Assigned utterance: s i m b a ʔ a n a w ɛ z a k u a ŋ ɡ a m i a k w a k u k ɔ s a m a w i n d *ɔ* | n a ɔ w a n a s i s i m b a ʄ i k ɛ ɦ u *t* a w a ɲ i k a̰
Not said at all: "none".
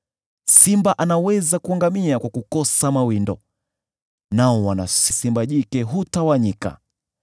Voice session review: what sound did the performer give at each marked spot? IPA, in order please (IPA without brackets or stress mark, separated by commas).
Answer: ɔ, t